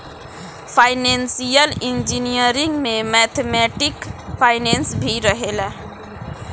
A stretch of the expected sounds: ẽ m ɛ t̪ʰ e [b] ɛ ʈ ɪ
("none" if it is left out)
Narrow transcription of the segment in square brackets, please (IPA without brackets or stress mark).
m